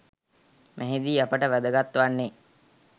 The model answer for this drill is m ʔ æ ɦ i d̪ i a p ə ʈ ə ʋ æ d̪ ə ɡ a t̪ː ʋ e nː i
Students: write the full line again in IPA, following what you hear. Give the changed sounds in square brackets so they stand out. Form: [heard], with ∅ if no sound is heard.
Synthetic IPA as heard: m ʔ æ ɦ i d̪ [iː] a p ə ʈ ə ʋ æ d̪ ə ɡ a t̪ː ʋ [a] nː [e]